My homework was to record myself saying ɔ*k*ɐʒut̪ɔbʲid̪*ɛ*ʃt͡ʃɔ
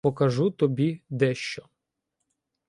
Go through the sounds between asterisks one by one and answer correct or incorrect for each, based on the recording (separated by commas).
correct, correct